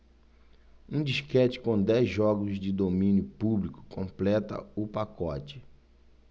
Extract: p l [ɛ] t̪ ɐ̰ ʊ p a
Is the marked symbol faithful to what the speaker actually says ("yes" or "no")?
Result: yes